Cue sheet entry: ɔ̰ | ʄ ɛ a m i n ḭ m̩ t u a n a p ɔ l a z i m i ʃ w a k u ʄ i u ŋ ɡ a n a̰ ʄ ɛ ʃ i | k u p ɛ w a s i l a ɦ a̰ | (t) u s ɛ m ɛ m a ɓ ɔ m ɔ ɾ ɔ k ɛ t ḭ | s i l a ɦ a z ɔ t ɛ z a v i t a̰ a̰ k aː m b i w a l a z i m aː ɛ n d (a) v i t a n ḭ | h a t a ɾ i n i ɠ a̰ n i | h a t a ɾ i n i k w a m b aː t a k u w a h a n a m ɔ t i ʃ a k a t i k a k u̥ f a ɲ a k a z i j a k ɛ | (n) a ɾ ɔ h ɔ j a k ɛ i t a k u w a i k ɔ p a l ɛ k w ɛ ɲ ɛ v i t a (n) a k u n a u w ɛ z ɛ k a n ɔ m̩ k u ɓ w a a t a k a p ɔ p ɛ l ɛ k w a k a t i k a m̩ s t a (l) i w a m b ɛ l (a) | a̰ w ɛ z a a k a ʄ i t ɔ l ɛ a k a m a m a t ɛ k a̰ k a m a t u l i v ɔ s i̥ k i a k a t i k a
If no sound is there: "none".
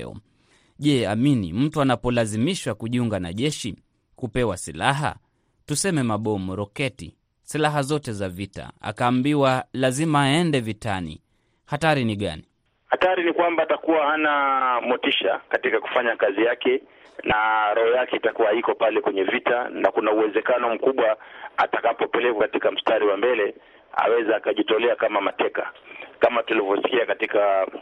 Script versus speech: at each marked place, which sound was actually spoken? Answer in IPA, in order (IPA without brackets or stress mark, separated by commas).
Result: t, ɛ, n, n, ɾ, ɛ